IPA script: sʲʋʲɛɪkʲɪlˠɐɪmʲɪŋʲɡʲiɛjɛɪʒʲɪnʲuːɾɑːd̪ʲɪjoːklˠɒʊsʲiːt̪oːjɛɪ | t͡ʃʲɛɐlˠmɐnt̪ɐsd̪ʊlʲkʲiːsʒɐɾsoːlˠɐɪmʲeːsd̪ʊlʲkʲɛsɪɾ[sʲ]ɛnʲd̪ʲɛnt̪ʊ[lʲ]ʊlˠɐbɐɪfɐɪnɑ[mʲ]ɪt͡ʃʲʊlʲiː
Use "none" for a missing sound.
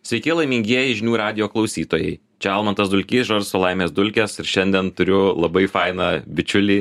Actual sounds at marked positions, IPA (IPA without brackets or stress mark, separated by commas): ʃʲ, ɾʲ, bʲ